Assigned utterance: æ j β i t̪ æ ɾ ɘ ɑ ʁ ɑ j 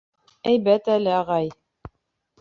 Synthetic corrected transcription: æ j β æ t̪ æ l ɘ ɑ ʁ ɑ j